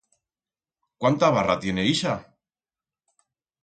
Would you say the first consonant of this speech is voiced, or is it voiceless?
voiceless